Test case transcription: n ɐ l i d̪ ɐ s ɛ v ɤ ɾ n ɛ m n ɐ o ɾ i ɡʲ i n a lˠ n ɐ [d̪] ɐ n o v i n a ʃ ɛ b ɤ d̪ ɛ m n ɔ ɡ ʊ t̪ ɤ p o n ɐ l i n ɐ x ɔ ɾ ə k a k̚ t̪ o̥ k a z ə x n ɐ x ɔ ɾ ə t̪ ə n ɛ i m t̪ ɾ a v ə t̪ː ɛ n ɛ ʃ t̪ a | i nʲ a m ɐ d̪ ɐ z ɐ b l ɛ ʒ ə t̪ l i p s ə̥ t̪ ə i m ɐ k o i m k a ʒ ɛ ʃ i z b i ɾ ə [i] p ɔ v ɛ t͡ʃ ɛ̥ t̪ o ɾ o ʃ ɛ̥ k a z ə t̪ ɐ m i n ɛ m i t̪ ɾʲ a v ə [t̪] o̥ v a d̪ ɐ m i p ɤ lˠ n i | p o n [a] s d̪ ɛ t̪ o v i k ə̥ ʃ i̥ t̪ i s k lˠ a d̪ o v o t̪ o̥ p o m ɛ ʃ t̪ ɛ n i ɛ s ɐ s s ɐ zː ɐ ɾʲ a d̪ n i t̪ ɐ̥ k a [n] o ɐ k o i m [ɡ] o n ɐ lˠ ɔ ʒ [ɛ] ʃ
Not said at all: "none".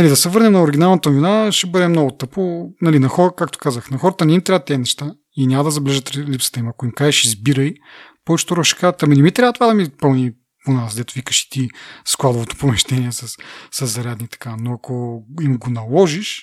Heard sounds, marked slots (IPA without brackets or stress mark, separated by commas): t̪, j, t̪, a, n, ɡ, i